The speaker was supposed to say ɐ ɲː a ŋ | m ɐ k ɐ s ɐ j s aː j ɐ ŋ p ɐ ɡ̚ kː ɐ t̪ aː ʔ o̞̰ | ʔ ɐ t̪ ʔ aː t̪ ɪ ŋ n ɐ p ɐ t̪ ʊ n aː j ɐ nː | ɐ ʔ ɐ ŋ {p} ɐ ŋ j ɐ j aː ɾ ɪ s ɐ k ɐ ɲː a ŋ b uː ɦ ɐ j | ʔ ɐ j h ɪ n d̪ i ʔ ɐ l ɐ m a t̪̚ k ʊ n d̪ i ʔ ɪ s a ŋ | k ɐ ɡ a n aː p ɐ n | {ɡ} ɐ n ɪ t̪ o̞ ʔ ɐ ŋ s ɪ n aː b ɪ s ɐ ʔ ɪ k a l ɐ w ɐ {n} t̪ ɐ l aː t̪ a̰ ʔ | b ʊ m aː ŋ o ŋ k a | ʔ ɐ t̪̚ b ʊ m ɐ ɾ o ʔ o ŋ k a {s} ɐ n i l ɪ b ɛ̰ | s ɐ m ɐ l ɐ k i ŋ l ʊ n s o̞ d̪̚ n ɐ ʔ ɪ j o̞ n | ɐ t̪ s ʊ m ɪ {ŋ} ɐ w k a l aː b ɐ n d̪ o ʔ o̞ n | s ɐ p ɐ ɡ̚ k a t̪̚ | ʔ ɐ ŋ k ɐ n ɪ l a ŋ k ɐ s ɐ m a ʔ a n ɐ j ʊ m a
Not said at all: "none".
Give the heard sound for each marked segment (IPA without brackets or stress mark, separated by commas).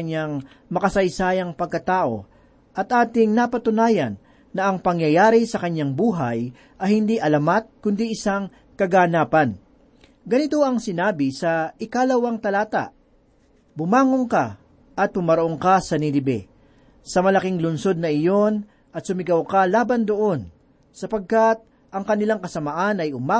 p, ɡ, ŋ, s, ɡ